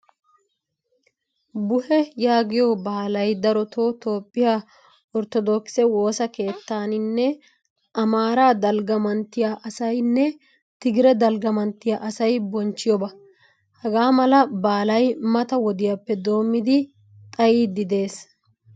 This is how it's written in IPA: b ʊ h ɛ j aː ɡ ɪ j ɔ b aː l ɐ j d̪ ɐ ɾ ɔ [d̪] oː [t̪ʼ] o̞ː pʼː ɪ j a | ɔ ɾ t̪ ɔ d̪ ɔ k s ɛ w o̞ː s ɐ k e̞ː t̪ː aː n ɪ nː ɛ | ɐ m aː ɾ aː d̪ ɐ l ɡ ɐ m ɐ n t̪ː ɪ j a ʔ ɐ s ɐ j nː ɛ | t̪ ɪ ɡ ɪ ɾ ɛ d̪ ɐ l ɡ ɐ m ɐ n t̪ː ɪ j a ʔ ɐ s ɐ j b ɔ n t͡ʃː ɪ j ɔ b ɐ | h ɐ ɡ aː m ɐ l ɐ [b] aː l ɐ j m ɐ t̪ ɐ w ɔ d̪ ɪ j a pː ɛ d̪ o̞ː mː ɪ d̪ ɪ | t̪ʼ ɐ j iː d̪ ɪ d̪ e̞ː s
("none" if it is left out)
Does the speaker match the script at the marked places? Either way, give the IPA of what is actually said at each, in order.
t̪, t̪, b

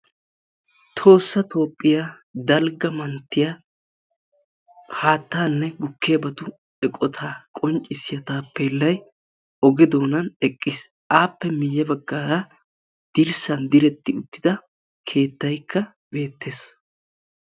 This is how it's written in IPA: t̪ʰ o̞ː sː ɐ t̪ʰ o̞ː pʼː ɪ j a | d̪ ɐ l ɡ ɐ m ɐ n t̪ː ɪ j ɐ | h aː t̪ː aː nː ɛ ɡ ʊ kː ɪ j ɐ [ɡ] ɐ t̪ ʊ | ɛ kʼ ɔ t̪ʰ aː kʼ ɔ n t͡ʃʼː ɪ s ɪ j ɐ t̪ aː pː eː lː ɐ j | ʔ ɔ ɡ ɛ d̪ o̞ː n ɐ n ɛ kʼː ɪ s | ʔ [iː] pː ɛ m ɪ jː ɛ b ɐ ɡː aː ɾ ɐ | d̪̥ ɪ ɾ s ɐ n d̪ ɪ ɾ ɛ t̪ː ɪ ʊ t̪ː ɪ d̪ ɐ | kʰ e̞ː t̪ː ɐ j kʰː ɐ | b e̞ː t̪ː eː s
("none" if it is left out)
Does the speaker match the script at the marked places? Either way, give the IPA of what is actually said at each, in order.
b, aː

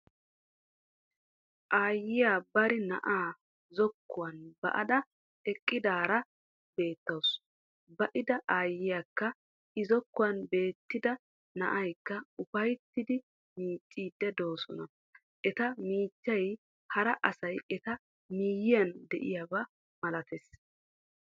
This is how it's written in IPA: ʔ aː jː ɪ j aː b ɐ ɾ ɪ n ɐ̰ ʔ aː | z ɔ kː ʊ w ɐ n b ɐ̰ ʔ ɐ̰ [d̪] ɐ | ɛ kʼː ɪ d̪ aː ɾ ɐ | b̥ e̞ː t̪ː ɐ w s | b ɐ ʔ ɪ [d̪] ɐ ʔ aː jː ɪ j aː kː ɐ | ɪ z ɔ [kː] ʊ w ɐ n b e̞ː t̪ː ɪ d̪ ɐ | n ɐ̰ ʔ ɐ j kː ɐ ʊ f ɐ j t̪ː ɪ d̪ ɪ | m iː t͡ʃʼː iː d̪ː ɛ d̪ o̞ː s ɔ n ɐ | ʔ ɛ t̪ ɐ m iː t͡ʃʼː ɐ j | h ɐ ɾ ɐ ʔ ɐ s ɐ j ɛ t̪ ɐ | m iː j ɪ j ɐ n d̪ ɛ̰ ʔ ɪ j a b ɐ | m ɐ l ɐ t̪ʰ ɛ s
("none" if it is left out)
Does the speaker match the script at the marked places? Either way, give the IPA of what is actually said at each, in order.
d̪, d̪, kː

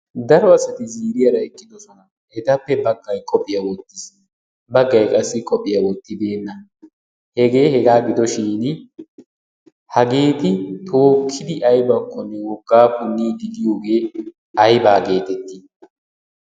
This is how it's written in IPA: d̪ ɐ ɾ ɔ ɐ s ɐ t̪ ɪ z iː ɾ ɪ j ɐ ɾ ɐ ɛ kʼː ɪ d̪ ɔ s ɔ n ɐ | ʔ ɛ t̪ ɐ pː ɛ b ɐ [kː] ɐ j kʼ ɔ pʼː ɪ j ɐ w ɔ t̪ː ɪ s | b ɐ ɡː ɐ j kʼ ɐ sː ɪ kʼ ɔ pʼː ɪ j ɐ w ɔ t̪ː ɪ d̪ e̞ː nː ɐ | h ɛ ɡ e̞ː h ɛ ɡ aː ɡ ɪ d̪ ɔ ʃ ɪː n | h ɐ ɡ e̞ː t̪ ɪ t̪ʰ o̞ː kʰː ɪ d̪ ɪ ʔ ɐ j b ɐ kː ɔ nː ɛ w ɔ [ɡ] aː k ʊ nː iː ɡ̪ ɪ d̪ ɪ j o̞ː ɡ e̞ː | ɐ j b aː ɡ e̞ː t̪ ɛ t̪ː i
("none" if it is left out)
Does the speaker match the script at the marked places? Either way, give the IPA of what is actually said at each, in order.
ɡː, ɡː

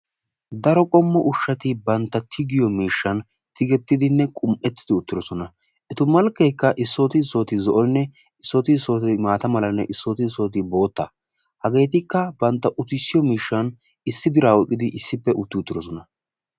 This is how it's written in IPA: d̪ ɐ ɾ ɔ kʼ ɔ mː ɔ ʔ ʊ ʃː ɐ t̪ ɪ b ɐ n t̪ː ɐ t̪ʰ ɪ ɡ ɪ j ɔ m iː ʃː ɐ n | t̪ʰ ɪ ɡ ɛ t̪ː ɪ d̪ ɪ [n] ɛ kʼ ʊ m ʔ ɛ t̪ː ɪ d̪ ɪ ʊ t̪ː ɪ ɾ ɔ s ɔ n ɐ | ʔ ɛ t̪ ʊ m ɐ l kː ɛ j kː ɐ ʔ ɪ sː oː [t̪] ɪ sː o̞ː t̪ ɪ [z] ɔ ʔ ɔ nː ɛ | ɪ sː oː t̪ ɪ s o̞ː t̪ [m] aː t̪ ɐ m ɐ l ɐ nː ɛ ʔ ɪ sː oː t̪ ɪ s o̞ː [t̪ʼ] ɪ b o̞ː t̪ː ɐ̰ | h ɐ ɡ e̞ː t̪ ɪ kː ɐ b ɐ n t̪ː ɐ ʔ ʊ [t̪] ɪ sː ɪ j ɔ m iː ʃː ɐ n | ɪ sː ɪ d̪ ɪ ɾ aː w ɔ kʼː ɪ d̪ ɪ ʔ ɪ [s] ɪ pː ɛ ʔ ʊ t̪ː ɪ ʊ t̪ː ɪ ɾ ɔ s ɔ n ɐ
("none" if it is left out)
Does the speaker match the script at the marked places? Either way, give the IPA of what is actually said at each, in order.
nː, t̪, z, m, t̪, t̪, sː

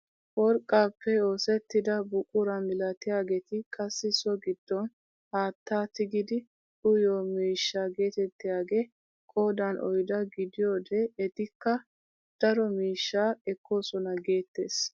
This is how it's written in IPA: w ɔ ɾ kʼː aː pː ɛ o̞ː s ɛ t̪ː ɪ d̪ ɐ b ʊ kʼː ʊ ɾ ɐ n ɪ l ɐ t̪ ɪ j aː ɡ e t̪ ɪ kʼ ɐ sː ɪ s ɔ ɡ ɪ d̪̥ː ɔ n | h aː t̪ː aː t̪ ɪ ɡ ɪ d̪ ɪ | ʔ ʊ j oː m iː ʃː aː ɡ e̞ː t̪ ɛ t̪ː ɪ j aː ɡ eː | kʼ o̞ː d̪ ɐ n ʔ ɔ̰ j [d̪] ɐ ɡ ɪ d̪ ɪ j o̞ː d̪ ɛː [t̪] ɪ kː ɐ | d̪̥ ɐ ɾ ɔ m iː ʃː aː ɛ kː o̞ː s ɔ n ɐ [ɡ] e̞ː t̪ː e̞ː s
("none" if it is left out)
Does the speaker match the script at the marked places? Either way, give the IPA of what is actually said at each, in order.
d̪, t̪, ɡ

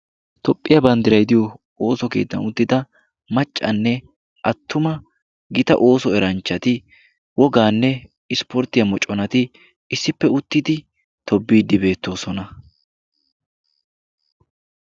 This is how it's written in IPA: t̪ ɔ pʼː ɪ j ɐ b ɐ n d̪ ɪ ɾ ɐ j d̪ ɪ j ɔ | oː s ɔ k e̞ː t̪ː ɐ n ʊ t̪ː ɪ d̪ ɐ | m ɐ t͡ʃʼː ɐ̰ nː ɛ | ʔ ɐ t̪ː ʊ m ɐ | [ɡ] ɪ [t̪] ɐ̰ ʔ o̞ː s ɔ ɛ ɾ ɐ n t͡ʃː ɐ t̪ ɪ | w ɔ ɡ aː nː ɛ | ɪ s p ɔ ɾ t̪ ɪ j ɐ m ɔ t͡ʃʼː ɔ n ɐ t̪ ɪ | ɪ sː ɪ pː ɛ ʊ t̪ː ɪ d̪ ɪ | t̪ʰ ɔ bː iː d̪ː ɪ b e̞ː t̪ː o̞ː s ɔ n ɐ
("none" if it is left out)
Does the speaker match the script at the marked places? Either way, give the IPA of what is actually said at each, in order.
ɡ, t̪

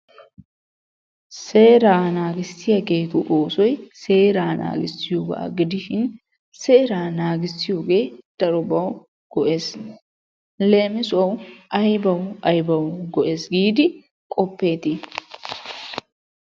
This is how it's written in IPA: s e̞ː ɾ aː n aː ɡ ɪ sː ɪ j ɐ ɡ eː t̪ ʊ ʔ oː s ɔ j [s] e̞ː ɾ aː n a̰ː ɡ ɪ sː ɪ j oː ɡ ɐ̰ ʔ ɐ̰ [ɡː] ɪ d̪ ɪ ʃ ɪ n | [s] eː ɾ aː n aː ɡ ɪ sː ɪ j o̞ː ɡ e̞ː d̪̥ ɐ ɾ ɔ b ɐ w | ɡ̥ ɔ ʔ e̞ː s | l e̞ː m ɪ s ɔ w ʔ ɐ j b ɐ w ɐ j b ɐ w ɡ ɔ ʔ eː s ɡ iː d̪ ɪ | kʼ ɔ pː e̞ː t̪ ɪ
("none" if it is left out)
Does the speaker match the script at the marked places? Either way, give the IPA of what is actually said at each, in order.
s, ɡ, s

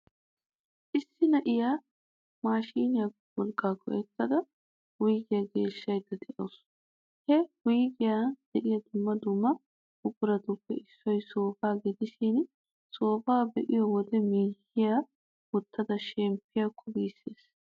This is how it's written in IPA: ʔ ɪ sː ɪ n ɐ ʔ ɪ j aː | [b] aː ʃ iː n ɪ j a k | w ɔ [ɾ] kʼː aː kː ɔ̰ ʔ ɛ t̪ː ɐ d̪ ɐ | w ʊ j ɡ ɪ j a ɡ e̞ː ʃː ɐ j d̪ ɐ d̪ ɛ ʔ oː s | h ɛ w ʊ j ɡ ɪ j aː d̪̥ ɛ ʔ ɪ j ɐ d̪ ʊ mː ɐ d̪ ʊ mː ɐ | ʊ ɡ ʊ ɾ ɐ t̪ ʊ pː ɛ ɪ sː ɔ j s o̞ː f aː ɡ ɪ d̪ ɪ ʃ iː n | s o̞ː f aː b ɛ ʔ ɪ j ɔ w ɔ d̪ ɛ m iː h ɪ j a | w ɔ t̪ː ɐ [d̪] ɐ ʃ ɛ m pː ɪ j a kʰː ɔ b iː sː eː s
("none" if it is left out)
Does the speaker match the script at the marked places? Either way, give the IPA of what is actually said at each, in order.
m, l, d̪

